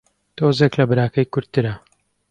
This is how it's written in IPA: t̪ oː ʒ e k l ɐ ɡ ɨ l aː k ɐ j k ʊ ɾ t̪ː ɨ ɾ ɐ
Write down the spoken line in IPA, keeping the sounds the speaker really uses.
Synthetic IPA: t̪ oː z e k l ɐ b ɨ ɾ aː k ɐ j k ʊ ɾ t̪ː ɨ ɾ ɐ